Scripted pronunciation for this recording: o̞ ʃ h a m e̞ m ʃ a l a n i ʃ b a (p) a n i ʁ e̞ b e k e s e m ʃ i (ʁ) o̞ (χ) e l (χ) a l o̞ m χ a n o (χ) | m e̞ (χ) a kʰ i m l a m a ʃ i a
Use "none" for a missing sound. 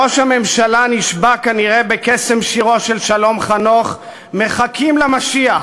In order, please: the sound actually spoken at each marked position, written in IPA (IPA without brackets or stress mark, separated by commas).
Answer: k, ʁ, ʃ, ʃ, χ, χ